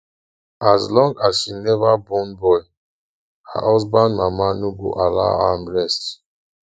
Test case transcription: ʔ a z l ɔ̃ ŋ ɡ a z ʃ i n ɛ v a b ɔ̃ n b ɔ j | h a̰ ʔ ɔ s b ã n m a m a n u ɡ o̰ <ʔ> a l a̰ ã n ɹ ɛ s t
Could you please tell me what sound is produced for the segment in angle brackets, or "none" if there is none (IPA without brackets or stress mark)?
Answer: ʔ